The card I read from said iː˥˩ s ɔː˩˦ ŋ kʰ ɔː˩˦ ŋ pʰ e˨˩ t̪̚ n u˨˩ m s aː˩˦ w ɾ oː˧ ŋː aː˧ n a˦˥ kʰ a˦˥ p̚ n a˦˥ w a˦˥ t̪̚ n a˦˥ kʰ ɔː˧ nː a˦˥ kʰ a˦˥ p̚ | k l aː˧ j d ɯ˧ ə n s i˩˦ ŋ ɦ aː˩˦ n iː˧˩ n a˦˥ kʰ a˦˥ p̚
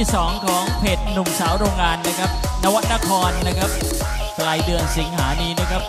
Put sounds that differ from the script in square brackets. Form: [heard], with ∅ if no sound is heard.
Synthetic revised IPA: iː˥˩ s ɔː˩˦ ŋ kʰ ɔː˩˦ ŋ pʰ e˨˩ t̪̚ n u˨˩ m s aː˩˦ w ɾ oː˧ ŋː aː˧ [nː] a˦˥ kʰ a˦˥ p̚ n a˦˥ w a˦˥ t̪̚ n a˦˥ kʰ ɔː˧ nː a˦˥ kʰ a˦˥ p̚ | k l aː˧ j d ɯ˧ ə n s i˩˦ ŋ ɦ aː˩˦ n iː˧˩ n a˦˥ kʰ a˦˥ p̚